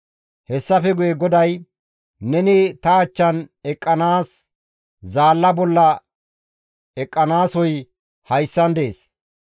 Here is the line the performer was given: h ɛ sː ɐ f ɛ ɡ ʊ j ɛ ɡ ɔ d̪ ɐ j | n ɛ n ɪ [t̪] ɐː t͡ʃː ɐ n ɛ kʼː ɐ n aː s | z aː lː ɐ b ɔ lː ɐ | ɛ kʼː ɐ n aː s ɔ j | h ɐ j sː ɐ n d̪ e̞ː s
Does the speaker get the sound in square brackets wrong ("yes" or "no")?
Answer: no